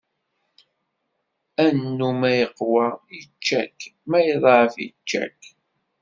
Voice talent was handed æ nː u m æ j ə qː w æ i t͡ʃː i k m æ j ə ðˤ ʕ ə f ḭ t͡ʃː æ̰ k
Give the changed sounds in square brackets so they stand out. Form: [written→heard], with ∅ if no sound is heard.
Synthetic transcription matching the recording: æ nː u m æ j ə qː w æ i t͡ʃː [i→æ] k m æ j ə ðˤ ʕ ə f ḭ t͡ʃː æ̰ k